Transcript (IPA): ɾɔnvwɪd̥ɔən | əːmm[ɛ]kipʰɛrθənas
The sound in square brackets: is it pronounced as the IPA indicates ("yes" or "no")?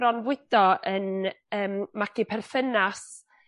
no